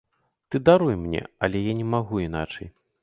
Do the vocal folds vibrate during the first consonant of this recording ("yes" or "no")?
no